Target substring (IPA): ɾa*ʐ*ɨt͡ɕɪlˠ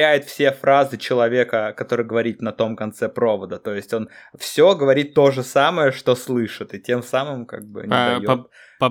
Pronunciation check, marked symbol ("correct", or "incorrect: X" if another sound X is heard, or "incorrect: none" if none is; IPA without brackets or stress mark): incorrect: z